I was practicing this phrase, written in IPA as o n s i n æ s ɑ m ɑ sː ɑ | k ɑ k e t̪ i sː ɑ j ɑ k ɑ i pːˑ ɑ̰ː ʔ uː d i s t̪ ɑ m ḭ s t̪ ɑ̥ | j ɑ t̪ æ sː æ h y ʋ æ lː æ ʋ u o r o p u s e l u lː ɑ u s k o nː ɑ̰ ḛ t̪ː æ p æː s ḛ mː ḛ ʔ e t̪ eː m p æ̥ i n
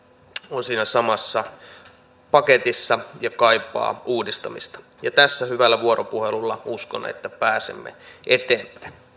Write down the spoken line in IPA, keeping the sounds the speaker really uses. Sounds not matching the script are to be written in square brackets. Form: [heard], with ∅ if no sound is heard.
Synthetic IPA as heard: o n s [iː] n æ s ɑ m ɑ sː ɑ | [p] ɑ k e t̪ i sː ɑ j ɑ k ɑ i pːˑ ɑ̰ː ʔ uː d i s t̪ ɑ m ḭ s t̪ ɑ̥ | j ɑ t̪ æ sː æ h y ʋ æ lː æ ʋ u o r o p u [h] e l u lː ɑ u s k o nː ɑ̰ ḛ t̪ː æ p æː s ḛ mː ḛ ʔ e t̪ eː m p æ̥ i n